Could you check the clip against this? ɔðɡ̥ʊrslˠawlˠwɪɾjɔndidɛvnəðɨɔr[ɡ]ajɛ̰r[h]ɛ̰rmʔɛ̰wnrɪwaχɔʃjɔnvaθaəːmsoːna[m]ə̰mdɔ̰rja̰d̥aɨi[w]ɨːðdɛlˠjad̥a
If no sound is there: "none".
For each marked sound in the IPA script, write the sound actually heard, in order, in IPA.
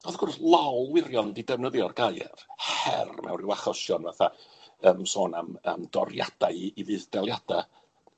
ɡ, h, m, v

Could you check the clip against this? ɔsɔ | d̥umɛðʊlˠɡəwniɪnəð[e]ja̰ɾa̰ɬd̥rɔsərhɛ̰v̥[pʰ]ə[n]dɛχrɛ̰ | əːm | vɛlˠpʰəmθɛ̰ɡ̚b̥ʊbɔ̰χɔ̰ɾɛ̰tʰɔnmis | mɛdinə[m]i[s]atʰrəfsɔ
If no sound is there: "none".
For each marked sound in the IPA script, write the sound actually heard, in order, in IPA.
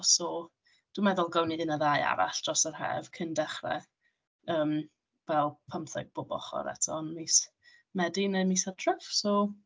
a, kʰ, n, m, s

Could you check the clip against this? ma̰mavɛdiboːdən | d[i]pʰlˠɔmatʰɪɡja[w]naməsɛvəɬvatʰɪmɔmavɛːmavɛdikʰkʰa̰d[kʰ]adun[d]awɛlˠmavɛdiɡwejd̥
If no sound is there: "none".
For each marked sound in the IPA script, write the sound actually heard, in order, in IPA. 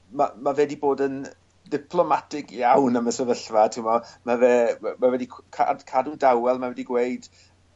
ɪ, w, kʰ, d

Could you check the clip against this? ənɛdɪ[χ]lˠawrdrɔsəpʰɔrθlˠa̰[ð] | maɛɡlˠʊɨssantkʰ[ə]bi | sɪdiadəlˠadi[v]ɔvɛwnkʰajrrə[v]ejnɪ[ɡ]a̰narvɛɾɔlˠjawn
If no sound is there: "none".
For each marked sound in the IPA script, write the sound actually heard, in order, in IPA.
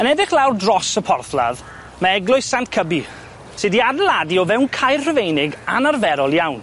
χ, ð, ə, none, v, ɡ

